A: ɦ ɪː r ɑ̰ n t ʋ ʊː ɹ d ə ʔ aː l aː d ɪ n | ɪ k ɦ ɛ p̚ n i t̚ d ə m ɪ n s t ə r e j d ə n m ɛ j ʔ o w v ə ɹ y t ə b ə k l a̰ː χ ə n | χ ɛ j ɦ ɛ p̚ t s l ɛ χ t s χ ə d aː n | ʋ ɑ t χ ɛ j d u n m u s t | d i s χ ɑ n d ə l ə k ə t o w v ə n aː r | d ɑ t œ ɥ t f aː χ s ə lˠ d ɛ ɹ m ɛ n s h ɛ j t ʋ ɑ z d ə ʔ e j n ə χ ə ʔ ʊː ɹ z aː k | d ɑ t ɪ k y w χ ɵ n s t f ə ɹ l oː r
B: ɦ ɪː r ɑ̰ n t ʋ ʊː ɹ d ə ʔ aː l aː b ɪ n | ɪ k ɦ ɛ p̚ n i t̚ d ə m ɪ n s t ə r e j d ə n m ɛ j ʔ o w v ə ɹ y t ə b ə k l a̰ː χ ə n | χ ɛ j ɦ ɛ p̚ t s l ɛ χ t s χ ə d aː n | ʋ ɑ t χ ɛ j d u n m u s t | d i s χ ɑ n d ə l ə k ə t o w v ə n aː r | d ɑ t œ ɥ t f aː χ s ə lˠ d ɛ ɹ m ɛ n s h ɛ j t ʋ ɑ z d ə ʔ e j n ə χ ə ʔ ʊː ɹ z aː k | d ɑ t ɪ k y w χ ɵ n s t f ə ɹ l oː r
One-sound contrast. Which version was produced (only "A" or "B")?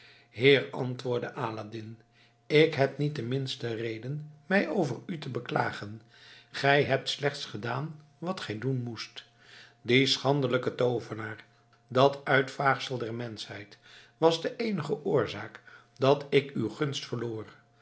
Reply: A